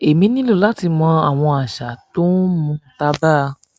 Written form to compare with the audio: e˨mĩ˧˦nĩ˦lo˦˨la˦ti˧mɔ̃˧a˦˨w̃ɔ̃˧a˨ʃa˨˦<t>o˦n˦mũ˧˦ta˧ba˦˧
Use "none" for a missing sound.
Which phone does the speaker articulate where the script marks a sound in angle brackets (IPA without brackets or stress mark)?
t